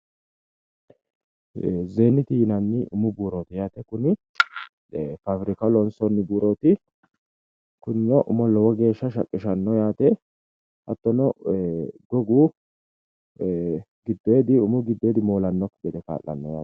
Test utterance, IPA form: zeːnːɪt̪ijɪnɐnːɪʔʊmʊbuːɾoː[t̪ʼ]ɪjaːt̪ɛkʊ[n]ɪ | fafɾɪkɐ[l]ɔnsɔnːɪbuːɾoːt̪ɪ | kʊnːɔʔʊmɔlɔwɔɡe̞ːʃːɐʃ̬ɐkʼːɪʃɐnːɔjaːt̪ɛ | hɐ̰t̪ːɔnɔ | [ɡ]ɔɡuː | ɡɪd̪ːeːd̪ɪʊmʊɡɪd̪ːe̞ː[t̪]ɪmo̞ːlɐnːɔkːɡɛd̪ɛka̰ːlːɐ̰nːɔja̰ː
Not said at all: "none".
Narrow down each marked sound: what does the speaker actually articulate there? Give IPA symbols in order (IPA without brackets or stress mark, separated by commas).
t̪, n, l, ɡ, d̪